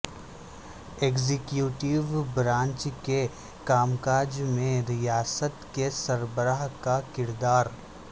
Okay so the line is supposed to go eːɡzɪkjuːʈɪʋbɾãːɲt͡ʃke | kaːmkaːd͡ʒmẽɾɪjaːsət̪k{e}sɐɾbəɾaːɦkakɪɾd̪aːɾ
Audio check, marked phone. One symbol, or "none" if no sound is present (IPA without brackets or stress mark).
e